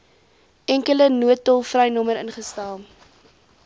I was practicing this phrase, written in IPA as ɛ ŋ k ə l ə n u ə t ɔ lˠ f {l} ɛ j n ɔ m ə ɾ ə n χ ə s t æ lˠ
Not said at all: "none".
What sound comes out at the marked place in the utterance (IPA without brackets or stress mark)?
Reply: r